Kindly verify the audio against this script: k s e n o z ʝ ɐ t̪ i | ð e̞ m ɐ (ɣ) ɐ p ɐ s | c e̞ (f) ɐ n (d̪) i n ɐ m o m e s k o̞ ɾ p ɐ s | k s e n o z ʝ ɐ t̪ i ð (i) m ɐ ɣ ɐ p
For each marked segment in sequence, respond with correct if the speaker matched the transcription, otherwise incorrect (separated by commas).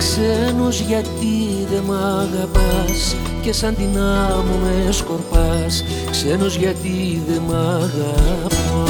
correct, incorrect, correct, incorrect